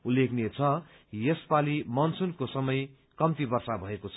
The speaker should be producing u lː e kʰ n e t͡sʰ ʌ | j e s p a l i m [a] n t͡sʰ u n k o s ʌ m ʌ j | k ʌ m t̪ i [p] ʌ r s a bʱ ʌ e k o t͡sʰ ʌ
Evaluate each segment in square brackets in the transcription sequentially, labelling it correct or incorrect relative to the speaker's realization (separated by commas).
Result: incorrect, incorrect